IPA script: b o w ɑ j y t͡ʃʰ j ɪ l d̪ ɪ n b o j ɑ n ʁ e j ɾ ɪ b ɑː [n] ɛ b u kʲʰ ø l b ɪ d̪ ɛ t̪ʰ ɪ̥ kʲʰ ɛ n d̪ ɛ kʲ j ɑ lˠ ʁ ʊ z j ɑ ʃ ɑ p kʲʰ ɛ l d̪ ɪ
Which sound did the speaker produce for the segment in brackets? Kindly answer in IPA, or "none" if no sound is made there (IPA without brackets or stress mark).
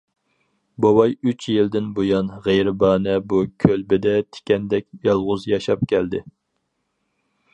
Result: n